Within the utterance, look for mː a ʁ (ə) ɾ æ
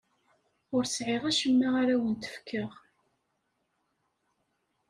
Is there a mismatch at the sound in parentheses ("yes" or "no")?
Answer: yes